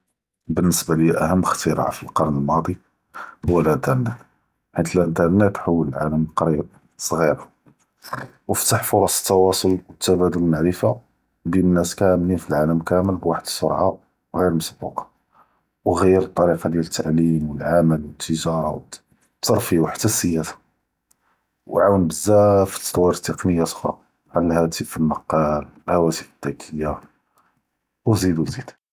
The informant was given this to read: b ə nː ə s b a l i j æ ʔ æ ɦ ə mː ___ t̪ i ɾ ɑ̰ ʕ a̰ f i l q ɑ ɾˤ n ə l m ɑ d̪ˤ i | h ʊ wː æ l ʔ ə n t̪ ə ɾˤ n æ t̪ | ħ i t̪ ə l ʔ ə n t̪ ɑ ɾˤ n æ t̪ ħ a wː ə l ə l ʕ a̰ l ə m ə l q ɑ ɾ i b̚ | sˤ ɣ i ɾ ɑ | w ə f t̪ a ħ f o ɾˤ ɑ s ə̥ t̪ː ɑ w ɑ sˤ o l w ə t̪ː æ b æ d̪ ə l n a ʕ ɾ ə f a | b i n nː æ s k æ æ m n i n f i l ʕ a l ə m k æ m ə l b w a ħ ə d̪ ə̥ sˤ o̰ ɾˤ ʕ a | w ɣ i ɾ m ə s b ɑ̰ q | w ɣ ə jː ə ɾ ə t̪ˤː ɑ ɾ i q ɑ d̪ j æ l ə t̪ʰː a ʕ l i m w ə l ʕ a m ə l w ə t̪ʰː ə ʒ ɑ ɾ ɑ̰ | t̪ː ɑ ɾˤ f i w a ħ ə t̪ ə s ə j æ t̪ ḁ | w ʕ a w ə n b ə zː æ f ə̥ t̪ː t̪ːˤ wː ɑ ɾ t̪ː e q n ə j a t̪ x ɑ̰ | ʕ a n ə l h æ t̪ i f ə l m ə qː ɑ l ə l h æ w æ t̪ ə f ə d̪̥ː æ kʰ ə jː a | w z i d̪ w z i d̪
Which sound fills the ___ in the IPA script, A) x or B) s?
A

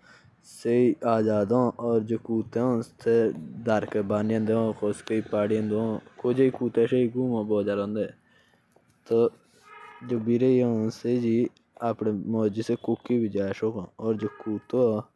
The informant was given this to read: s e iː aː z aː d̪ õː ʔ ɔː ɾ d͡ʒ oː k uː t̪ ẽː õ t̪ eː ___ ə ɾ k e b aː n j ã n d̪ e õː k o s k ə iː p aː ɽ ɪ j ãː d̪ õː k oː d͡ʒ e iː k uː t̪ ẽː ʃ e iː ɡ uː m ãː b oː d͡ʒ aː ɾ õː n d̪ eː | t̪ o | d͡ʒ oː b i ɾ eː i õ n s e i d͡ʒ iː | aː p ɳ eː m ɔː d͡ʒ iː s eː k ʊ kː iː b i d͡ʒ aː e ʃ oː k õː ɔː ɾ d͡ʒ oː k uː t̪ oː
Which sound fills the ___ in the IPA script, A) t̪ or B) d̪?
B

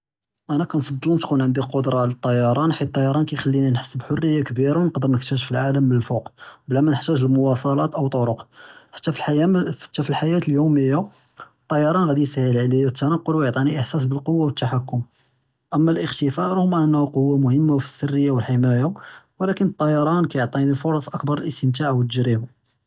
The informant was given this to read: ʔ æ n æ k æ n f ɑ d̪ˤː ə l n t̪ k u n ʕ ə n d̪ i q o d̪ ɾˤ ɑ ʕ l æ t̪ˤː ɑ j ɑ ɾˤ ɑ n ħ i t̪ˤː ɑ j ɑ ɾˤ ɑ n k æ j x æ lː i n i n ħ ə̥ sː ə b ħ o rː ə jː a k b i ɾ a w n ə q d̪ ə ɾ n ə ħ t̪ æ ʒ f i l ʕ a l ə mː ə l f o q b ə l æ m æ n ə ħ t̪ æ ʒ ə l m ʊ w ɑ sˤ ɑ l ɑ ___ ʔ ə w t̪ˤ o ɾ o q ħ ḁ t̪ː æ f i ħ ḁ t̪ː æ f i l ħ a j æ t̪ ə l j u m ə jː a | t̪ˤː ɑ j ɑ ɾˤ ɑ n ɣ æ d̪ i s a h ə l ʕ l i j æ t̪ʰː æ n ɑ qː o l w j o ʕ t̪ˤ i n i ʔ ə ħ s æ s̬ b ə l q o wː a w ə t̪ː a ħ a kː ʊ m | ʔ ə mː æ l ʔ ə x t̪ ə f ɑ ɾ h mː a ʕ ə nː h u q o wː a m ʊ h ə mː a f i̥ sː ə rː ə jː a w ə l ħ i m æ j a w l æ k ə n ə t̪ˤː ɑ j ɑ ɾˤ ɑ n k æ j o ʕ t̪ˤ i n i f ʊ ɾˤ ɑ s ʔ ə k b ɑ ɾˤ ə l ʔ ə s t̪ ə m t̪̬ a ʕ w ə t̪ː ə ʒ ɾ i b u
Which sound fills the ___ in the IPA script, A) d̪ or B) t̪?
B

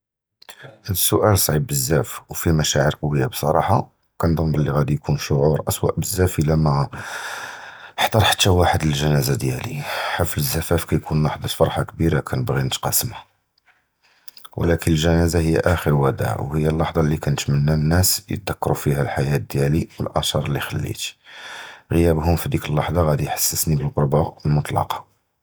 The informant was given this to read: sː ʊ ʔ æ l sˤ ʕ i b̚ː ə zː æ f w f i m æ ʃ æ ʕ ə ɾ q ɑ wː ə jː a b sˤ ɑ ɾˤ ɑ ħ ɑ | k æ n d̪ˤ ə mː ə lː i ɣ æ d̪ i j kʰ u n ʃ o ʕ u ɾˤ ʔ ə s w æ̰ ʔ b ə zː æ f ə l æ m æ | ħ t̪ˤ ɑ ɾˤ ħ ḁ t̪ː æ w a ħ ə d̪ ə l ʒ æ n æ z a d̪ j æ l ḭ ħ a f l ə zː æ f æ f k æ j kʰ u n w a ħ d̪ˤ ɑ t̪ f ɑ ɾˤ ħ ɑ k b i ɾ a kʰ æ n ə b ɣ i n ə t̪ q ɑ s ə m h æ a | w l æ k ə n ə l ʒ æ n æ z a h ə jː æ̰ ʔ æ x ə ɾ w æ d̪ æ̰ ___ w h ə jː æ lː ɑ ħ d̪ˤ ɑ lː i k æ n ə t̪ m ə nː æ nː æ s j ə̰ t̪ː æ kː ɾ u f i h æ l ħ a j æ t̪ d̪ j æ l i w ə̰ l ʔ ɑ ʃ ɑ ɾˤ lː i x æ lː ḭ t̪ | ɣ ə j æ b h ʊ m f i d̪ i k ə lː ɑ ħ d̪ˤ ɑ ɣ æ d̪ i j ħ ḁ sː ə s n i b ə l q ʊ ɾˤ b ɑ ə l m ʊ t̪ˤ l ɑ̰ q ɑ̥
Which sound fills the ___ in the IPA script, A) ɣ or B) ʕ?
B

